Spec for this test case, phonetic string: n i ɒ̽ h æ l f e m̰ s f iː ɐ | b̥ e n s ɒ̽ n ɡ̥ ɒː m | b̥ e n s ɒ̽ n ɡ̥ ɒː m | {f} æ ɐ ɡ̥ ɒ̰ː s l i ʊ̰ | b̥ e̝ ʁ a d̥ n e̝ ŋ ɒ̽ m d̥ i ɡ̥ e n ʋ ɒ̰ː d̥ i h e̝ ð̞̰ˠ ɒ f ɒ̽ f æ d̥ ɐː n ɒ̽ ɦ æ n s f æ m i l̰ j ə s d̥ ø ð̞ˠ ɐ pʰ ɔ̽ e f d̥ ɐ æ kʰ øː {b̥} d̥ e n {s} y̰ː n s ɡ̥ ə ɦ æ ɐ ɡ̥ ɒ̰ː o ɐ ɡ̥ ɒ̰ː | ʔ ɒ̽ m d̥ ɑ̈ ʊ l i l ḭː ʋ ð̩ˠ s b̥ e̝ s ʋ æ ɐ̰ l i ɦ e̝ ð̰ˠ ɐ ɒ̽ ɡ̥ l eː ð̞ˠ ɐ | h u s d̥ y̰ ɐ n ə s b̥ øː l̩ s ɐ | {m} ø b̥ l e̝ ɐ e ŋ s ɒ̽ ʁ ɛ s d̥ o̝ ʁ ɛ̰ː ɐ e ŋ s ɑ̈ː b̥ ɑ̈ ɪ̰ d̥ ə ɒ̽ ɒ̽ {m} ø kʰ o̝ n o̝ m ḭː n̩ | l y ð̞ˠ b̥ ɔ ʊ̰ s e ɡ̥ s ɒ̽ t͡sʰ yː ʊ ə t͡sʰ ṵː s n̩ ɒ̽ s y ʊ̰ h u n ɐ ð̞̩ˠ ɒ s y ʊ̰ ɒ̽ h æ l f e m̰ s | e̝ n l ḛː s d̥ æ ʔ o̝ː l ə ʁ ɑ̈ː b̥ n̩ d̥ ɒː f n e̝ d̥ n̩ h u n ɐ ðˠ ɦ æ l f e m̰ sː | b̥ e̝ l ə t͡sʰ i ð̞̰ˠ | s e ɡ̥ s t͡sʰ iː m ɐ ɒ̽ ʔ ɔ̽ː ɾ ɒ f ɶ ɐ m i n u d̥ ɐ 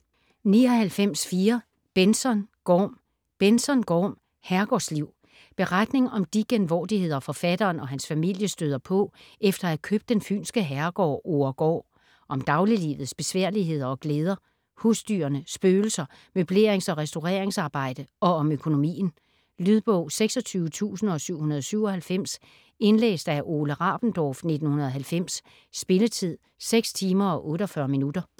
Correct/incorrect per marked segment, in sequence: incorrect, correct, incorrect, correct, correct

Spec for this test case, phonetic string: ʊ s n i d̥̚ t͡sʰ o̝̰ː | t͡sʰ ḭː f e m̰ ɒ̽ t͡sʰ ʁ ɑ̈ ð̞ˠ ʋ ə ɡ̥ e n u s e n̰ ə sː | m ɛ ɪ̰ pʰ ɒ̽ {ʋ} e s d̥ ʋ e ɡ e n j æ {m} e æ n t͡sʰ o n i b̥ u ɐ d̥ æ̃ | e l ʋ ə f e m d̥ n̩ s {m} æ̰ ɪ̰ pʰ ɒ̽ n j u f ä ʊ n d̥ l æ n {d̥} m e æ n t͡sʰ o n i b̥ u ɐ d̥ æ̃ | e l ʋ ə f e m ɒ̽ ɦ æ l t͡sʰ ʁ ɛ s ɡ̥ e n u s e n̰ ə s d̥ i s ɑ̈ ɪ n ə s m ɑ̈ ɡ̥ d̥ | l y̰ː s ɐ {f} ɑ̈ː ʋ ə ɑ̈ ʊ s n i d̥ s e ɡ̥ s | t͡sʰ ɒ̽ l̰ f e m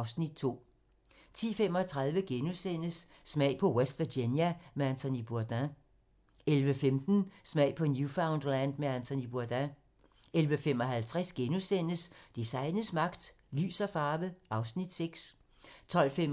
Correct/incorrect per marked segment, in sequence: incorrect, correct, correct, correct, correct

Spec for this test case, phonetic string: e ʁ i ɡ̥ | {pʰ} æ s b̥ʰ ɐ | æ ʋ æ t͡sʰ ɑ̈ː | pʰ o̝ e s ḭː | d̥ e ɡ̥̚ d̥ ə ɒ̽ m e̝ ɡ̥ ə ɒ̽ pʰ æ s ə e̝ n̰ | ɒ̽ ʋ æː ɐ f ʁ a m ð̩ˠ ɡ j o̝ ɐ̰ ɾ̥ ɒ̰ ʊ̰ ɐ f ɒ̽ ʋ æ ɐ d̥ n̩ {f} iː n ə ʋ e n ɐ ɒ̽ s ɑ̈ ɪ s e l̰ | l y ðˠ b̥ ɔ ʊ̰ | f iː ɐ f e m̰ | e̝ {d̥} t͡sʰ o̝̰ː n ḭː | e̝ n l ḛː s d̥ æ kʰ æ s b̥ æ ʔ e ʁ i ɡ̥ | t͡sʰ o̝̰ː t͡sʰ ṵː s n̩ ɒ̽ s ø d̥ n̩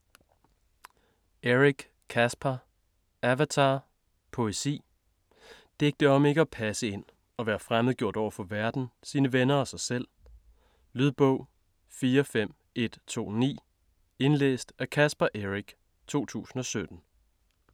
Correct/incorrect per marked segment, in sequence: incorrect, incorrect, correct

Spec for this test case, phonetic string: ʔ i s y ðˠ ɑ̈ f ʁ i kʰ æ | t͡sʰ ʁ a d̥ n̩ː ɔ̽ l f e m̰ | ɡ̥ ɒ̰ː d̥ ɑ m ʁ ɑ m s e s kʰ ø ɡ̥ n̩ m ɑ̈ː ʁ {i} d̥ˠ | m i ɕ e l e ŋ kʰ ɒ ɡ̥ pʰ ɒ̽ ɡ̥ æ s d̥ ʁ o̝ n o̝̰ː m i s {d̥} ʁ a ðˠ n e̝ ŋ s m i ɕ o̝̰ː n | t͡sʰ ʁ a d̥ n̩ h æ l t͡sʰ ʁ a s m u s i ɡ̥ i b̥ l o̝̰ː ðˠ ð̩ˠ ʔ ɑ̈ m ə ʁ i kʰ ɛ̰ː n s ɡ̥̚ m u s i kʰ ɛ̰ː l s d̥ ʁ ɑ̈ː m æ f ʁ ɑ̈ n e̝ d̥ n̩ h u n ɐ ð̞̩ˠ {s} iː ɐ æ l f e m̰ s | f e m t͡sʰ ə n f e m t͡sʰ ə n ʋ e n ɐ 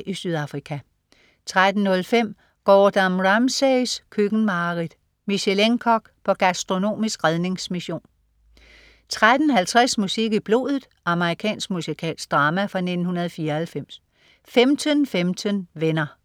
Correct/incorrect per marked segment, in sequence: correct, incorrect, incorrect

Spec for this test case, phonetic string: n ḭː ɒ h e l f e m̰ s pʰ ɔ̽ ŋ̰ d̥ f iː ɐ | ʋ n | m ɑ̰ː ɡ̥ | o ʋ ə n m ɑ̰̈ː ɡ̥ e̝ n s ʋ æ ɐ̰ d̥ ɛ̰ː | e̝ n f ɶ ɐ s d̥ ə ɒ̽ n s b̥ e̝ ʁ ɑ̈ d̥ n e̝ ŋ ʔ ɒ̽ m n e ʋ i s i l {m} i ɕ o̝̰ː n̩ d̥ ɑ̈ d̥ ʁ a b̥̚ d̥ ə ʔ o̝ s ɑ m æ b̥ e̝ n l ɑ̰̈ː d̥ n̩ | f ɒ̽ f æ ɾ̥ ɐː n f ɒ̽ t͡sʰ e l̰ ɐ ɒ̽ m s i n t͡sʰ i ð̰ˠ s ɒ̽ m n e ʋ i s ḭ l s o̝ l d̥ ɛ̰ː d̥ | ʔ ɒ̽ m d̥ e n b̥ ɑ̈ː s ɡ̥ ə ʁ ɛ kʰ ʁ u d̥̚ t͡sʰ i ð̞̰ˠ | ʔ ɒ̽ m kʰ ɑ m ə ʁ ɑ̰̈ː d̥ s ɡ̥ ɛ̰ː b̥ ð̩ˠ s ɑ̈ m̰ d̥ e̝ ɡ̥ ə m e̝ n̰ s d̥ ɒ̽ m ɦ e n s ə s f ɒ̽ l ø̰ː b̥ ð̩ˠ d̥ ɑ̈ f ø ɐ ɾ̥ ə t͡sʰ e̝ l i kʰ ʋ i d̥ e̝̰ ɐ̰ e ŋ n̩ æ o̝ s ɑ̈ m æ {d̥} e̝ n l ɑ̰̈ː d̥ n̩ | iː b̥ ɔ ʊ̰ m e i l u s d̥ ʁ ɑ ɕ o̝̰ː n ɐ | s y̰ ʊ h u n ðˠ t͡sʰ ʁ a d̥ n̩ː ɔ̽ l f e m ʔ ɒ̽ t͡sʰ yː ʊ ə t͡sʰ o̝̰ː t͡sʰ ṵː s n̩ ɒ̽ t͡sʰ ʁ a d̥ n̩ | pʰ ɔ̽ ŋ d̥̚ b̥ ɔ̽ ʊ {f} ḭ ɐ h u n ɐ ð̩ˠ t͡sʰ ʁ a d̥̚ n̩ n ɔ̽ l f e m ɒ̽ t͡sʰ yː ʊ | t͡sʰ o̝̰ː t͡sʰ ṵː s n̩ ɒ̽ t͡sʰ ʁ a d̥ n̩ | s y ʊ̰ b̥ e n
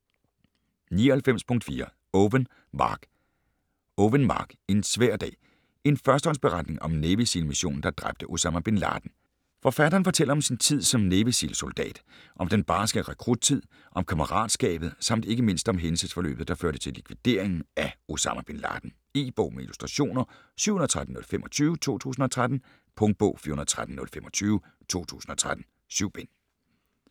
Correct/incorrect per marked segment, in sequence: correct, incorrect, correct

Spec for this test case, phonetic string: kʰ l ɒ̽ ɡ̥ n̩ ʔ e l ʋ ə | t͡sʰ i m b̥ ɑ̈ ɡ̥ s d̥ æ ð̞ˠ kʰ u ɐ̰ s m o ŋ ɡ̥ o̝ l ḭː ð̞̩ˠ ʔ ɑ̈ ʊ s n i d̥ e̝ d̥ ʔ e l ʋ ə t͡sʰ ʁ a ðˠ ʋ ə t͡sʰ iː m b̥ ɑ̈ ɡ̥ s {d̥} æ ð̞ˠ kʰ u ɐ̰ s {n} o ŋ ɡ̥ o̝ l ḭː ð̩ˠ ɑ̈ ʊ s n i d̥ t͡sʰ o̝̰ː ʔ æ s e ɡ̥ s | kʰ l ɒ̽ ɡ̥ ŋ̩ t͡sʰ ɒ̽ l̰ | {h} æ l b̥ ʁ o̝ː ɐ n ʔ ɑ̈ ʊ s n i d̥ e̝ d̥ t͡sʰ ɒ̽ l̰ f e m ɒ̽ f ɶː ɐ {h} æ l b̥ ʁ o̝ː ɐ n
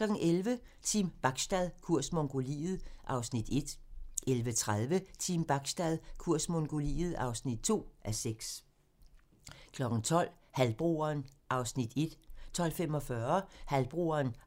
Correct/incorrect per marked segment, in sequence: correct, incorrect, correct, correct

